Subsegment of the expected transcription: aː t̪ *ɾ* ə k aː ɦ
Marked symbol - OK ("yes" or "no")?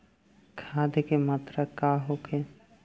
yes